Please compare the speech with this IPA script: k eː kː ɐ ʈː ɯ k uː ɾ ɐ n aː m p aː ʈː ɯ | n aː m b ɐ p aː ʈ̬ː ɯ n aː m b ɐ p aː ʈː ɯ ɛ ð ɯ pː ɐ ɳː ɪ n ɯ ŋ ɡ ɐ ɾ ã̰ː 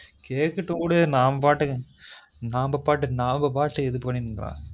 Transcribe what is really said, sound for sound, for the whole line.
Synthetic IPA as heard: k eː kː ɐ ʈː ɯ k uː ɽ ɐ n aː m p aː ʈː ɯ | n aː m b ɐ p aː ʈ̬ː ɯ n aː m b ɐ p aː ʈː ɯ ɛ ð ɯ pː ɐ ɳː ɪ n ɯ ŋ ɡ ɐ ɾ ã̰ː